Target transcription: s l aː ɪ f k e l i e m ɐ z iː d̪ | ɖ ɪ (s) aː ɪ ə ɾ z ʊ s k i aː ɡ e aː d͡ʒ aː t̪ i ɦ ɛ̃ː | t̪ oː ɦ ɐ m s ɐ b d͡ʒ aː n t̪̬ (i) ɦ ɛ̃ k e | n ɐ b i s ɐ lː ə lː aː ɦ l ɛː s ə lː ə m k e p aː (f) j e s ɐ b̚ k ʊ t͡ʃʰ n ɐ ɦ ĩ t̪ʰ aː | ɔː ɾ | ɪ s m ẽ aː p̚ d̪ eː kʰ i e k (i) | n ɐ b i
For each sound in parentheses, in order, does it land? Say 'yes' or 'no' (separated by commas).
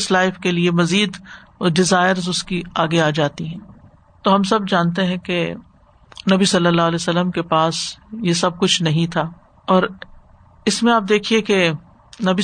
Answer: no, no, no, no